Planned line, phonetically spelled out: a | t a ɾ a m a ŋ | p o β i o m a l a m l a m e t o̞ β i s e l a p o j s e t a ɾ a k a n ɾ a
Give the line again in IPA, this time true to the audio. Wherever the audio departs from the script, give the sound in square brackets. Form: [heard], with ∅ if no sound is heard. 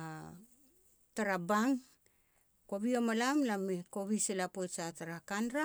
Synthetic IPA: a | t a ɾ a [b] a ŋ | [k] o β i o m a l a m l a m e [k] o̞ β i s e l a p o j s [a] t a ɾ a k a n ɾ a